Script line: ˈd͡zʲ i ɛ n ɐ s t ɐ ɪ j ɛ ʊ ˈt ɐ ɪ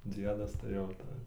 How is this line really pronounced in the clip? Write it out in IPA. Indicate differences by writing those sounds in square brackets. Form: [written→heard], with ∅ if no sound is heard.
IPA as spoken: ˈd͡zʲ i ɛ [n→d] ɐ s t ɐ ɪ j ɛ ʊ ˈt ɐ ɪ